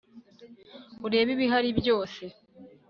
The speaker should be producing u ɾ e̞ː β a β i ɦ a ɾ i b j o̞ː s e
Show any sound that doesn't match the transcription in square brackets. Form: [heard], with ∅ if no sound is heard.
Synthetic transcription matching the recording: u ɾ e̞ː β [i] β i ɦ a ɾ i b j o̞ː s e